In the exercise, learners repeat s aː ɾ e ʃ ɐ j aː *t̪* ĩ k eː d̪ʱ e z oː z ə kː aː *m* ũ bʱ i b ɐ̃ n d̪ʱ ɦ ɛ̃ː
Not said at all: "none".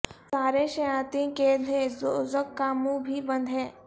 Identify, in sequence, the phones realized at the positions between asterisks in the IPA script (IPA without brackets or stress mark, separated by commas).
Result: t̪, m